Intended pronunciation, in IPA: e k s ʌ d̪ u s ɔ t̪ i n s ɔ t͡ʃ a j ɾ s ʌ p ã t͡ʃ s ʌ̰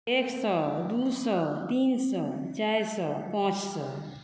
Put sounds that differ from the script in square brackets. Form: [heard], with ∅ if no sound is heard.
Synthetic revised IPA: e k s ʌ d̪ u s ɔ t̪ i n s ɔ t͡ʃ a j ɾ s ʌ p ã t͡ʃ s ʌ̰